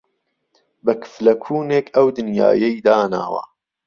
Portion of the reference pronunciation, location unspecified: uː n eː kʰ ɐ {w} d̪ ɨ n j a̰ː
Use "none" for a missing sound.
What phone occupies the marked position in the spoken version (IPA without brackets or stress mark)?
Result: w